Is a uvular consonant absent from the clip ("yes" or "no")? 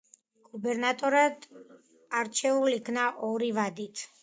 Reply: yes